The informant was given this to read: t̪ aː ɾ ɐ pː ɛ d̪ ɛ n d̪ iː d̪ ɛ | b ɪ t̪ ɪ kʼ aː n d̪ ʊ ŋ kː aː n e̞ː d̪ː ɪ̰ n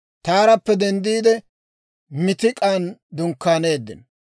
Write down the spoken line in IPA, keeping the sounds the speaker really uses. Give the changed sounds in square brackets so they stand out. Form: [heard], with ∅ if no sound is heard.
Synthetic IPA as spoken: t̪ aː ɾ ɐ pː ɛ d̪ ɛ n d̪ iː d̪ ɛ | [m] ɪ t̪ ɪ kʼ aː n d̪ ʊ ŋ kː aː n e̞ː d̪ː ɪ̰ n